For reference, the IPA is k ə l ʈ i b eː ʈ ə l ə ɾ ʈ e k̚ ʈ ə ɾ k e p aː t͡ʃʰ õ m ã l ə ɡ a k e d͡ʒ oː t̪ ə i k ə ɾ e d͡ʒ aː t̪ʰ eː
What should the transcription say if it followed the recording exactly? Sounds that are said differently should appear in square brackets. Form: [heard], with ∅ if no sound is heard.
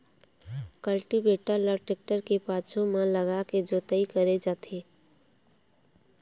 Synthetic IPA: k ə l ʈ i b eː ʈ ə l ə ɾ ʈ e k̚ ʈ ə ɾ k e p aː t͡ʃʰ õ m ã l ə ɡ a k e d͡ʒ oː t̪ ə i k ə ɾ e d͡ʒ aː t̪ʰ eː